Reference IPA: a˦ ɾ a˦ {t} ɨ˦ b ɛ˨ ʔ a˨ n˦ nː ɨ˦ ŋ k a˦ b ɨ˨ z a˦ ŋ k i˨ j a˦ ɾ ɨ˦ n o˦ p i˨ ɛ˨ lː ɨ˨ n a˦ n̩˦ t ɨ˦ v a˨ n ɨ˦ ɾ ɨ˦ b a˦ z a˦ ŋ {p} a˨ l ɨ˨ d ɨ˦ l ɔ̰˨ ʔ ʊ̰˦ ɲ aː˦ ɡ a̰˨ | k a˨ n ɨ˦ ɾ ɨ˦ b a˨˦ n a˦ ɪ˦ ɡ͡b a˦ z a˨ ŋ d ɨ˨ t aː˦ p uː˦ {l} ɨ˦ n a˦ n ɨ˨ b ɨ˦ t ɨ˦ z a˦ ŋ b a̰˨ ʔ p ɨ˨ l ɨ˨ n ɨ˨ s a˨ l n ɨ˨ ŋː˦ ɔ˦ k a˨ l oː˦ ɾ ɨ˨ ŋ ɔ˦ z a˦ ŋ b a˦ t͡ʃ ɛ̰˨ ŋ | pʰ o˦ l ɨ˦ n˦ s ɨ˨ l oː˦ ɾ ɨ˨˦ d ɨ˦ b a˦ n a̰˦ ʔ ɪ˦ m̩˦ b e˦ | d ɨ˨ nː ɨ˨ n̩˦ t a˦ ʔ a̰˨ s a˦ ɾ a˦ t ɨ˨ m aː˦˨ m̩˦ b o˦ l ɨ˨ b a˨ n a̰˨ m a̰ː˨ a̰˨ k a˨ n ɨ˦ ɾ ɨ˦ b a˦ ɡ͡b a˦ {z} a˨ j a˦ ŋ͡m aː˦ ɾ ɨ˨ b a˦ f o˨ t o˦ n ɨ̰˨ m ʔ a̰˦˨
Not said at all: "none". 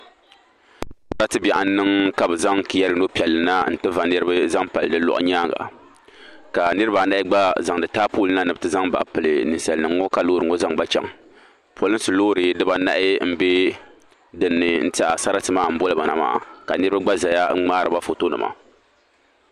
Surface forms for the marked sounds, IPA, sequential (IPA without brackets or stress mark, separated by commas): t, p, l, z